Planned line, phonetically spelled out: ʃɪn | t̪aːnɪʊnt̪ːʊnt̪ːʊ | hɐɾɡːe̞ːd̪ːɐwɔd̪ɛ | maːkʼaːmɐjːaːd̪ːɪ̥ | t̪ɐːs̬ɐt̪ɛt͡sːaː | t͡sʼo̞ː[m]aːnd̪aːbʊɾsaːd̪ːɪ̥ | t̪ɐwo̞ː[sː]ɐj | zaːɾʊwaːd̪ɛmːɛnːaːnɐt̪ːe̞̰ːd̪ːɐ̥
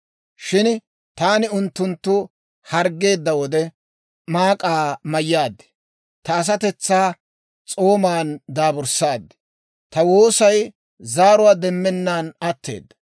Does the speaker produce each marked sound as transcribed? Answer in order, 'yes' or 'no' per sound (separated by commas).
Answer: yes, no